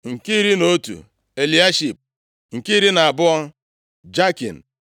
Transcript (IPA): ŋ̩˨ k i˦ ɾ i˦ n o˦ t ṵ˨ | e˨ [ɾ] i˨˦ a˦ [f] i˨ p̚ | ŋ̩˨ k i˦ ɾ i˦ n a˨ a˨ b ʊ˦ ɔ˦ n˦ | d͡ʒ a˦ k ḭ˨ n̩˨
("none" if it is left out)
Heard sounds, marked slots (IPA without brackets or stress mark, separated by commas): l, ʃ